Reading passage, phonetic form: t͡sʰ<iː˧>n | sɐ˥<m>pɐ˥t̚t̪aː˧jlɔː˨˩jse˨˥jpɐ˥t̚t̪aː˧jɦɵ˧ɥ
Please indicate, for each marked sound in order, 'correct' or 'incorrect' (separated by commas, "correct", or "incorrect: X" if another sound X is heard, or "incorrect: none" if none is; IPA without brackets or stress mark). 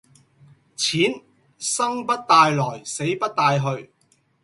incorrect: iː˨˥, incorrect: ŋ